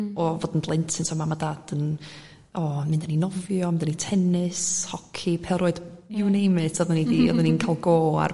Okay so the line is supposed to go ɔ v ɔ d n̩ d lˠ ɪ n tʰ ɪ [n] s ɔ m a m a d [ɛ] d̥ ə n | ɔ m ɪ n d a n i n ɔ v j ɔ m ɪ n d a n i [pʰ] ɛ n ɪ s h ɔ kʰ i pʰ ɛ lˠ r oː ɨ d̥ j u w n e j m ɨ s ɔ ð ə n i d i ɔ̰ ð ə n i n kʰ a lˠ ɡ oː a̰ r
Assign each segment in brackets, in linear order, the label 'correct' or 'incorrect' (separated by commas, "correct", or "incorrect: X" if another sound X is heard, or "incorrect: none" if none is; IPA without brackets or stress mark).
correct, incorrect: a, incorrect: tʰ